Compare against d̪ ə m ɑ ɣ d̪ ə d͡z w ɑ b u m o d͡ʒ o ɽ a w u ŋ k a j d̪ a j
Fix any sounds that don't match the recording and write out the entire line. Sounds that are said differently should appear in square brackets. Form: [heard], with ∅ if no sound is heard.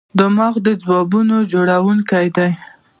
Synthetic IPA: d̪ ə m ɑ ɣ d̪ ə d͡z w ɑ b u [n] o d͡ʒ o ɽ a w u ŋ k a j d̪ a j